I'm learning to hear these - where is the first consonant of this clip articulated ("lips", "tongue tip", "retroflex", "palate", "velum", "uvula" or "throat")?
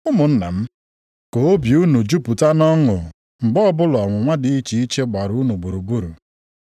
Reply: lips